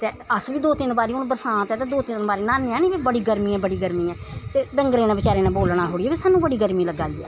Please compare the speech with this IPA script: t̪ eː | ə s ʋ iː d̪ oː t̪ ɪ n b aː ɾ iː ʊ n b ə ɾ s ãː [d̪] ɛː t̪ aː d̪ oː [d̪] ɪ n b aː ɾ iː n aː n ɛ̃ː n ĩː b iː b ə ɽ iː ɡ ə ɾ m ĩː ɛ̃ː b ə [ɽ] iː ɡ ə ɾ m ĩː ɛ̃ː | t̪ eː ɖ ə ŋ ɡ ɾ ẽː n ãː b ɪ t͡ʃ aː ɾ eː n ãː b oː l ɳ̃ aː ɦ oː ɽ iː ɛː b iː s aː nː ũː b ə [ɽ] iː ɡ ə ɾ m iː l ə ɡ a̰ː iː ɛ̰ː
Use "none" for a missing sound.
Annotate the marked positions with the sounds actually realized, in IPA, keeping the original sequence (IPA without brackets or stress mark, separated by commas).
t̪, t̪, ɽ, ɽ